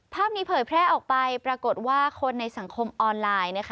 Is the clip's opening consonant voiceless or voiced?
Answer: voiceless